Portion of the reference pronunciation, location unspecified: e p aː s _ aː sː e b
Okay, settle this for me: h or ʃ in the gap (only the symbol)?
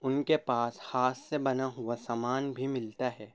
h